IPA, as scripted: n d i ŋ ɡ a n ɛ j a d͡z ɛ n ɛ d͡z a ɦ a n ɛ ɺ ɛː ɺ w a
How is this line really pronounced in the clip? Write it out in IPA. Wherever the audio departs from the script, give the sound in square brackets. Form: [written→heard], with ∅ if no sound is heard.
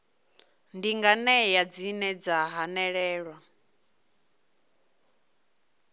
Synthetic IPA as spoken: n d i ŋ ɡ a n ɛ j a d͡z [ɛ→i] n ɛ d͡z a ɦ a n ɛ ɺ ɛː ɺ w a